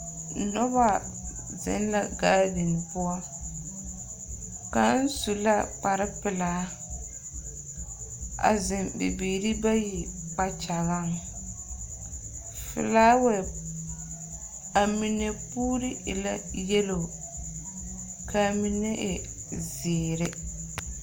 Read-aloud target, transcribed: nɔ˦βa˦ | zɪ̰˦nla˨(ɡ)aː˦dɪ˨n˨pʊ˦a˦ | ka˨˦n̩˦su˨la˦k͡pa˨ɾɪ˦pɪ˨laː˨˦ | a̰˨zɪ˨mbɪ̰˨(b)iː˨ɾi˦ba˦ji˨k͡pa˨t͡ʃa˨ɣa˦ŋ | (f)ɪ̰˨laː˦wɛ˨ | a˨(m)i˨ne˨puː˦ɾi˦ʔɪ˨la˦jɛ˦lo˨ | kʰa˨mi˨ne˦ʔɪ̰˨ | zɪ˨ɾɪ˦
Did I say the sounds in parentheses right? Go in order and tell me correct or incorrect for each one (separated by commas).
correct, correct, correct, correct